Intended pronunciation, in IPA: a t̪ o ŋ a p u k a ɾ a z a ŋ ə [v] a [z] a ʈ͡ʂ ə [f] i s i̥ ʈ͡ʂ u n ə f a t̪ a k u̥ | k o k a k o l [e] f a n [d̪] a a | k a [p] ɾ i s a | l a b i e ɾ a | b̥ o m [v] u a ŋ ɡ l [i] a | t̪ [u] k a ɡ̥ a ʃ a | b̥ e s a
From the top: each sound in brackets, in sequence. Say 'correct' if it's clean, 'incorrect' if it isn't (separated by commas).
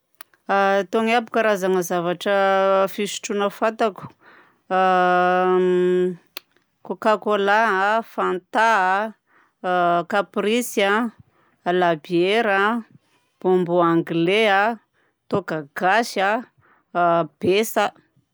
incorrect, incorrect, correct, incorrect, incorrect, correct, incorrect, incorrect, incorrect